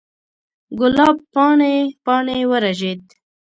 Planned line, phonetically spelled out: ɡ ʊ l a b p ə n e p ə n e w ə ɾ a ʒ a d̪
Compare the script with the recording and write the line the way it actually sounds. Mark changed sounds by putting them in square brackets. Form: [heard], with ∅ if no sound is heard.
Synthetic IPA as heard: ɡ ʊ l [ɑ] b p [ɑ] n e p [ɑ] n e w ə ɾ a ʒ [e] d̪